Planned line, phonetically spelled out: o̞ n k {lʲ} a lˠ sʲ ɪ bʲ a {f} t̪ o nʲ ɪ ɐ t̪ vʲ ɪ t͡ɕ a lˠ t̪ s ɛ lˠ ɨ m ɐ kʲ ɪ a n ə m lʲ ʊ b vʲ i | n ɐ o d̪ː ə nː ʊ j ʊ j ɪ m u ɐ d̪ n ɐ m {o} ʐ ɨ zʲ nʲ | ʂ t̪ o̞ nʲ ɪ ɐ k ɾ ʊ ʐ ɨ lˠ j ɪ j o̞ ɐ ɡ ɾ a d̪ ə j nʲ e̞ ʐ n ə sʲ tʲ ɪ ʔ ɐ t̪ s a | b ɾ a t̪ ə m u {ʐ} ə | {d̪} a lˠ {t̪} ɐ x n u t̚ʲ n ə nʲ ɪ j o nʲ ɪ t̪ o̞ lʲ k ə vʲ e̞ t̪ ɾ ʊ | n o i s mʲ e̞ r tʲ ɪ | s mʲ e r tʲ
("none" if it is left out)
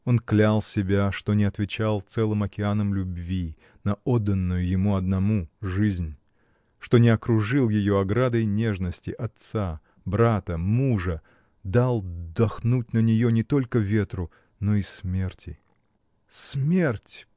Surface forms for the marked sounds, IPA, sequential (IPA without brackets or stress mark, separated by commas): lʲ, ʂ, u, ʐ, d̪, d̪